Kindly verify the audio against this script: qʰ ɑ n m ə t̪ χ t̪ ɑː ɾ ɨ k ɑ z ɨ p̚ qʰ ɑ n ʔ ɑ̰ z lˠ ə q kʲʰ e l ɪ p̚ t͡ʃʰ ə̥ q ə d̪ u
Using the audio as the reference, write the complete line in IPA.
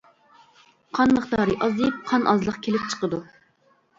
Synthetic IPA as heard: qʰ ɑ n m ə χ t̪ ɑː ɾ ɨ ʔ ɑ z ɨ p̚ qʰ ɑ n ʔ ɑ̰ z lˠ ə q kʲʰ e l ɪ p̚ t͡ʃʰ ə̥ q ə d̪ u